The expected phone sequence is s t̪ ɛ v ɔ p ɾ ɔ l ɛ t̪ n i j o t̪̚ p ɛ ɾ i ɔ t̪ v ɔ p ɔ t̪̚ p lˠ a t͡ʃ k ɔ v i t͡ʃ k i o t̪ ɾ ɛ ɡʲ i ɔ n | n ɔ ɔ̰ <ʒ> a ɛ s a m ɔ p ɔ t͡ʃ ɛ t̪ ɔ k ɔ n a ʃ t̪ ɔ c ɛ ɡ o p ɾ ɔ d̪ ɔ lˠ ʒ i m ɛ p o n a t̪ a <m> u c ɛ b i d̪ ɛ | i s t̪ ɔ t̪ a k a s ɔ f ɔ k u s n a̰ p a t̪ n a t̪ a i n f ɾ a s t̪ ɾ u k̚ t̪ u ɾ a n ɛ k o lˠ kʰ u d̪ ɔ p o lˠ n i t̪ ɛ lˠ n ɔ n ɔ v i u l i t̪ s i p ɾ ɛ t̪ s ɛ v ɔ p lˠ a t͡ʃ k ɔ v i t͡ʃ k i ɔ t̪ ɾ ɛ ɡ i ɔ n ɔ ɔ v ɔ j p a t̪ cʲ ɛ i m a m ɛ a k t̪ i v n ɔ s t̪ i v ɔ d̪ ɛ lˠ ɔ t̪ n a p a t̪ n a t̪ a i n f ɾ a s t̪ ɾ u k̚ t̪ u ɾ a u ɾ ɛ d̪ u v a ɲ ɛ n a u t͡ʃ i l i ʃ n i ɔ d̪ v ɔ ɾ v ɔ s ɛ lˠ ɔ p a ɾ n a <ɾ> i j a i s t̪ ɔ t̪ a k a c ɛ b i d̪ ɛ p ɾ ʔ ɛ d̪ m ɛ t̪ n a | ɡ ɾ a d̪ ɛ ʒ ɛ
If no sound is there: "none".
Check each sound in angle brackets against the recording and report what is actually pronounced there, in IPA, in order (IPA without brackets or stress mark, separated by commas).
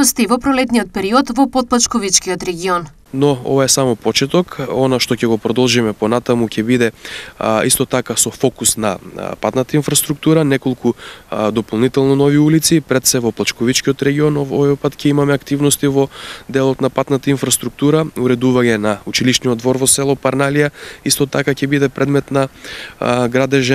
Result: v, m, l